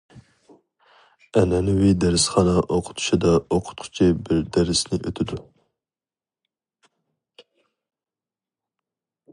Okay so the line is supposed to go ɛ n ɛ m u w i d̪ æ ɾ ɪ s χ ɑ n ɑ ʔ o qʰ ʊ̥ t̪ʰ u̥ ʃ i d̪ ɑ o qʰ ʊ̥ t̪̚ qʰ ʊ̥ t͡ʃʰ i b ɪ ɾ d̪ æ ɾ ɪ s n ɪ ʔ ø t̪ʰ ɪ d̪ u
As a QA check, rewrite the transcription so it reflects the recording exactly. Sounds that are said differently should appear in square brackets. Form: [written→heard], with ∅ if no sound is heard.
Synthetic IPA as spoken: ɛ n ɛ [m→n] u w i d̪ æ ɾ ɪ s χ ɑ n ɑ ʔ o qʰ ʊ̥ t̪ʰ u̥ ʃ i d̪ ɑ o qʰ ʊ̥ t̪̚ qʰ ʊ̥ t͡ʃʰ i b ɪ ɾ d̪ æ ɾ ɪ s n ɪ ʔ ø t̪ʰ ɪ d̪ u